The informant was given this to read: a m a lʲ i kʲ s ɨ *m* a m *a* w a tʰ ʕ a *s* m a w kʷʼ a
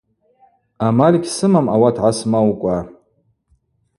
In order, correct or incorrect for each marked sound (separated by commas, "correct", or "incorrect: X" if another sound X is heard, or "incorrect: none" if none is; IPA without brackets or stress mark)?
correct, correct, correct